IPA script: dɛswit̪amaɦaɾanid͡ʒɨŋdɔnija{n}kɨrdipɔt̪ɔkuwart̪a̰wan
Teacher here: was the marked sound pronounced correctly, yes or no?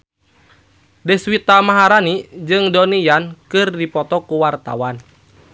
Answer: yes